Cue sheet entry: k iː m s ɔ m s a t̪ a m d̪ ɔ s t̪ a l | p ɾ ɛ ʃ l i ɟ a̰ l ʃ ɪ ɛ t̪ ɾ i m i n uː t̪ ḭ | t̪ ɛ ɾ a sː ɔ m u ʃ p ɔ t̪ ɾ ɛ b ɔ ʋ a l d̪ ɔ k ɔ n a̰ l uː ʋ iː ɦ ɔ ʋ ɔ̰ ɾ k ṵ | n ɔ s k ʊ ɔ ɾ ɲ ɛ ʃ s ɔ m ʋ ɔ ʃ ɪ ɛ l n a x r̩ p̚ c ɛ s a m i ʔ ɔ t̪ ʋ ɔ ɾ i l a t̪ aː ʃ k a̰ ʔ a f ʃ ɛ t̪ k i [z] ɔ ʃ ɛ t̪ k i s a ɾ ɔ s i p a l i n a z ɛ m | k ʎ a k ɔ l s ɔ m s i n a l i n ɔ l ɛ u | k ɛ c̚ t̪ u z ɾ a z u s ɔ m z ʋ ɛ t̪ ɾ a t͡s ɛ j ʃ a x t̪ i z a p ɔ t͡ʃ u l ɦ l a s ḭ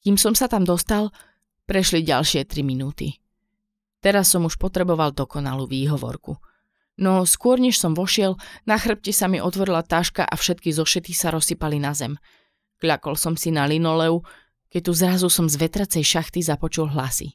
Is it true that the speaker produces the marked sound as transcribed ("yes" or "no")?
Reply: yes